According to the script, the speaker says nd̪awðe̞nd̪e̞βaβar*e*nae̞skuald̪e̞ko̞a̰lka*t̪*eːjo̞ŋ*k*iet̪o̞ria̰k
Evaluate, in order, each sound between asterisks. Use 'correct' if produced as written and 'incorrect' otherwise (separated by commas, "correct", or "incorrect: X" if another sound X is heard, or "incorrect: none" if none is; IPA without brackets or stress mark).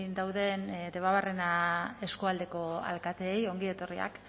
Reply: correct, correct, incorrect: ɡ